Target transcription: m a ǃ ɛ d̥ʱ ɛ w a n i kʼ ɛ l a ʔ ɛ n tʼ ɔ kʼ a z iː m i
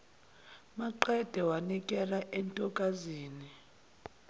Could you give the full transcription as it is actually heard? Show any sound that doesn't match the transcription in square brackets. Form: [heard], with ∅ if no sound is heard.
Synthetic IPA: m a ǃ ɛ d̥ʱ ɛ w a n i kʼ ɛ l a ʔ ɛ n tʼ ɔ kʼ a z iː [n] i